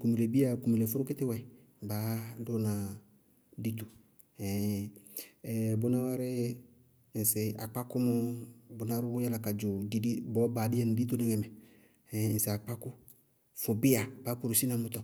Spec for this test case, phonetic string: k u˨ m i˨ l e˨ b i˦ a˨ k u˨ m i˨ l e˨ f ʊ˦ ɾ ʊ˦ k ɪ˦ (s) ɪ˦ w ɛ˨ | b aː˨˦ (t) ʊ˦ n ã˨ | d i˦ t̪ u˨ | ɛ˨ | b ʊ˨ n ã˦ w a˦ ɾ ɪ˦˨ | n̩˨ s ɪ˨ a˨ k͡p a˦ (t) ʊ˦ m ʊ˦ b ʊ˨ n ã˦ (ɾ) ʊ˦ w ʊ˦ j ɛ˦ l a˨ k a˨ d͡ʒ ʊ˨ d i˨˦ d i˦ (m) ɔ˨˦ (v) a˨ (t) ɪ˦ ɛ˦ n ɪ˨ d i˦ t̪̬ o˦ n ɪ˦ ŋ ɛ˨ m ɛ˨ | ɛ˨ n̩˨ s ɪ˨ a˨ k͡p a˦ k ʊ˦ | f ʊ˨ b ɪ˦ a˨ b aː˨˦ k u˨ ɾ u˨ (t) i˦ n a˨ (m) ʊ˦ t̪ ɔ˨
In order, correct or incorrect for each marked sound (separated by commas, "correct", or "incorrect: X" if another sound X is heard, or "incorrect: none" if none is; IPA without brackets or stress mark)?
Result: incorrect: t, incorrect: d, incorrect: k, correct, incorrect: b, incorrect: b, incorrect: d, incorrect: s, correct